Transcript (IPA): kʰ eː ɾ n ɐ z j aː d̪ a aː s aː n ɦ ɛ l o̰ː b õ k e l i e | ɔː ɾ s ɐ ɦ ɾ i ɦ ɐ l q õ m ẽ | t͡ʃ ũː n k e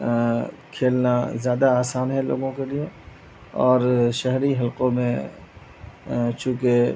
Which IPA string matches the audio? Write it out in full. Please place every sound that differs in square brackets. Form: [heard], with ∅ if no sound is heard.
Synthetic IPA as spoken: kʰ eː [l] n [a] z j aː d̪ a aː s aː n ɦ ɛ l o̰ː [ɡ] õ k e l i e | ɔː ɾ [ʃ] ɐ ɦ ɾ i ɦ ɐ l q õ m ẽ | t͡ʃ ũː [∅] k e